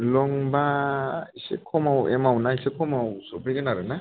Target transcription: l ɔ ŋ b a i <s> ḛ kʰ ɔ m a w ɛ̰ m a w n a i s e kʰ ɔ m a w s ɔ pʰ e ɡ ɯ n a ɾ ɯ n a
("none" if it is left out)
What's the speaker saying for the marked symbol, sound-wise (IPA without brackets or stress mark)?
s